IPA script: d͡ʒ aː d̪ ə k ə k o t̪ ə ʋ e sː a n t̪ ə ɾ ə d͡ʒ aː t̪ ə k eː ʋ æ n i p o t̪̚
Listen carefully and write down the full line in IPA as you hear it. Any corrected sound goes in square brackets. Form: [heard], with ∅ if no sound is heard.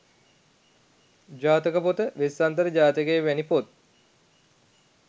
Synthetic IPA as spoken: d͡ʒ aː [t̪] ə k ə [p] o t̪ ə ʋ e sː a n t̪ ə ɾ ə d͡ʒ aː t̪ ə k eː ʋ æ n i p o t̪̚

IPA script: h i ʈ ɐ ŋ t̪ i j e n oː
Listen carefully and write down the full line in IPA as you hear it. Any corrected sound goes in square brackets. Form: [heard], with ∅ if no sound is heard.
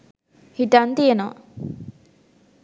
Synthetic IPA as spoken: h i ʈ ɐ [n] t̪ i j e n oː

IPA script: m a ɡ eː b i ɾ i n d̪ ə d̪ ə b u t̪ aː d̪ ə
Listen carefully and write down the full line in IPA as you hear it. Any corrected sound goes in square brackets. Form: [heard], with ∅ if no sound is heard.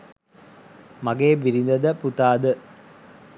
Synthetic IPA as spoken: m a ɡ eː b i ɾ i n d̪ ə d̪ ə [p] u t̪ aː d̪ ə

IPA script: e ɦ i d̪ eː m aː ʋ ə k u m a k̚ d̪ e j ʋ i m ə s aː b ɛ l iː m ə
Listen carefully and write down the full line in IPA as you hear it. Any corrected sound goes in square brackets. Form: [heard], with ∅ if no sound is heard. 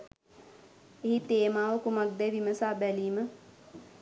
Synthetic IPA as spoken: e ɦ i [t̪] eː m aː ʋ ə k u m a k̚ d̪ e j ʋ i m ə s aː b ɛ l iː m ə

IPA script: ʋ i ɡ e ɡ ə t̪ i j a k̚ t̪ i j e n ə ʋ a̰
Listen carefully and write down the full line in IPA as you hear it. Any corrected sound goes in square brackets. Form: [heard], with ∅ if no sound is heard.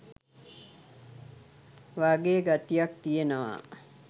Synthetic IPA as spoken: ʋ [a] ɡ e ɡ [a] t̪ i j a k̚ t̪ i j e n ə ʋ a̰

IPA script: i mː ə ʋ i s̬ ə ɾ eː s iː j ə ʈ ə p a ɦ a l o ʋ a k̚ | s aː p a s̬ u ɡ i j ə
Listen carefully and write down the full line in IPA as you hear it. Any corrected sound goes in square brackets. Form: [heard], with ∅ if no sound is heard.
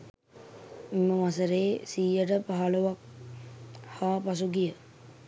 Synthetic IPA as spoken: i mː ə ʋ [a] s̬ ə ɾ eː s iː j ə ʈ ə p a ɦ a l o ʋ a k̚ | [h] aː p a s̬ u ɡ i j ə

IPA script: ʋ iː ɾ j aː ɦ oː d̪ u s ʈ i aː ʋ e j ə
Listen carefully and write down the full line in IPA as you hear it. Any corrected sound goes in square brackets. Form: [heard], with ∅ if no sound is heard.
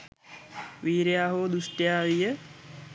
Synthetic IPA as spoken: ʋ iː ɾ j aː ɦ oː d̪ u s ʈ [j] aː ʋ [i] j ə

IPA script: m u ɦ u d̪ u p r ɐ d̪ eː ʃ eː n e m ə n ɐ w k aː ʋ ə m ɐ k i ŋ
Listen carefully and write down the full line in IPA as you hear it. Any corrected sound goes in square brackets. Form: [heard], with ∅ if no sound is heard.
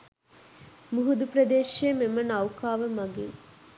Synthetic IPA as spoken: m u ɦ u d̪ u p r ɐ d̪ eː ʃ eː [m] e m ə n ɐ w k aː ʋ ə m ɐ [ɡ] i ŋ

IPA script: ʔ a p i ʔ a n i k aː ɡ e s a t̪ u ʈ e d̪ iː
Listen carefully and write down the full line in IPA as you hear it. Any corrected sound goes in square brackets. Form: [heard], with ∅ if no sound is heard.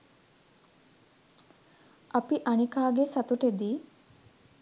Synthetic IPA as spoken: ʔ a p i ʔ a n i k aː ɡ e s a t̪ u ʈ e d̪ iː

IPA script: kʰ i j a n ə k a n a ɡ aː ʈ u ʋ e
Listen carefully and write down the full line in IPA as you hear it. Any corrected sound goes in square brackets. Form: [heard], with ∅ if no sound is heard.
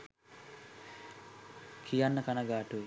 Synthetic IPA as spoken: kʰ i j a [nː] ə k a n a ɡ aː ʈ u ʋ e

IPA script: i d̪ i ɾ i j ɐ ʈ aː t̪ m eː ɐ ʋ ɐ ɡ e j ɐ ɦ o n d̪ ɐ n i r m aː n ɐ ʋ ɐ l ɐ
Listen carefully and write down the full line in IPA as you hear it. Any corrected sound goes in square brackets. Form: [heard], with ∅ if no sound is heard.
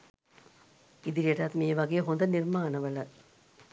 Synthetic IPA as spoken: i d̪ i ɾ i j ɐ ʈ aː t̪ m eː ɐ ʋ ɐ ɡ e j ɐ ɦ o n d̪ ɐ n i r m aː n ɐ ʋ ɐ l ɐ

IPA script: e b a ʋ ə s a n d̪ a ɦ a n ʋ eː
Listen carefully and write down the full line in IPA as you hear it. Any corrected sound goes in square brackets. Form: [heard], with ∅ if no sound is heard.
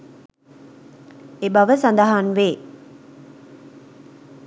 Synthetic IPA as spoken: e b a ʋ ə s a n d̪ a ɦ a n ʋ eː

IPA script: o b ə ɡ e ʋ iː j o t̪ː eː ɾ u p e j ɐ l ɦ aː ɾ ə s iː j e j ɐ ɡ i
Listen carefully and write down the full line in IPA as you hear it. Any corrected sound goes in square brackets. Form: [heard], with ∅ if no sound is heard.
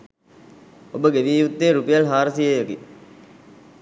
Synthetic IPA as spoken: o b ə ɡ e ʋ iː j [u] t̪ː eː ɾ u p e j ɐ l ɦ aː ɾ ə s [i] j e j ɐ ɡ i

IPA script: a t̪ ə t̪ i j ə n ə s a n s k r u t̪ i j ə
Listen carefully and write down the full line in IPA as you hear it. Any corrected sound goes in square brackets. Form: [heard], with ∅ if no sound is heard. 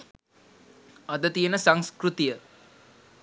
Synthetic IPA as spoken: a [d̪] ə t̪ i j ə n ə s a [ŋ] s k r u t̪ i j ə

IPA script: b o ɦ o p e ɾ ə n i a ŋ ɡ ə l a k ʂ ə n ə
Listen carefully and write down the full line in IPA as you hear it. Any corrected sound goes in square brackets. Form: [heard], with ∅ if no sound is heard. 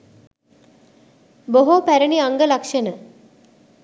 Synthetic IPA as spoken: b o ɦ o p [æ] ɾ ə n i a ŋ ɡ ə l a k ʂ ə n ə

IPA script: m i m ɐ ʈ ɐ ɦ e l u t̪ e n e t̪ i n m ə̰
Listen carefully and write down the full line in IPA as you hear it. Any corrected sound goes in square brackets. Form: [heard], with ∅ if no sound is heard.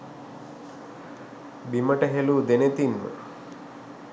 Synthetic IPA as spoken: [b] i m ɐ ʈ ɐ ɦ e l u [d̪] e n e t̪ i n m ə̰

